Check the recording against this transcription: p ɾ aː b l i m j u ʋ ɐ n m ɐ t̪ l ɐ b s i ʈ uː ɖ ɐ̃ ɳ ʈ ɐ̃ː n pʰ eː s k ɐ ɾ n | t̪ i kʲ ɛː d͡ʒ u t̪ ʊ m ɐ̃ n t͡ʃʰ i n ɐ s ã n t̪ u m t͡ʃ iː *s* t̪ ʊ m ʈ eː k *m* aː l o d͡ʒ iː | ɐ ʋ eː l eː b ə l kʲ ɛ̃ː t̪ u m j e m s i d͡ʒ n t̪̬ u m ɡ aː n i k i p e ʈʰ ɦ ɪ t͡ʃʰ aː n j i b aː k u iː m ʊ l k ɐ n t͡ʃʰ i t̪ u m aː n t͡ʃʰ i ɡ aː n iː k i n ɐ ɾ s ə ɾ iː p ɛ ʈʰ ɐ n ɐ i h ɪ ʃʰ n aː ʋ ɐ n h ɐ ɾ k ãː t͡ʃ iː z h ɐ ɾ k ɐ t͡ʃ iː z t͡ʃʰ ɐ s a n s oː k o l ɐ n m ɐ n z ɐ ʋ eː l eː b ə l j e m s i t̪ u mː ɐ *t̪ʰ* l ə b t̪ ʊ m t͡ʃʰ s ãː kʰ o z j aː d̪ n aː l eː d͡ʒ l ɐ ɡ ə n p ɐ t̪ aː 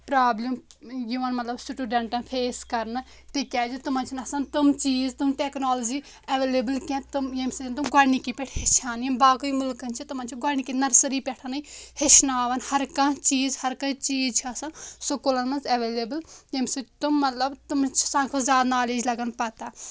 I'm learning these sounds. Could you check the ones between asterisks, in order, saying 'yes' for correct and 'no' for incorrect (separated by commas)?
no, no, no